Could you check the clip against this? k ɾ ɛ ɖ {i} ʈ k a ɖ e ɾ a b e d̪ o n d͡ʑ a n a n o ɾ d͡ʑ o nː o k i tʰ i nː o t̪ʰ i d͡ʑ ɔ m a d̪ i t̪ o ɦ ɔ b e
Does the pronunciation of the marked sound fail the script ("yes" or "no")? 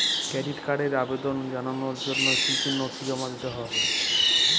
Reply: no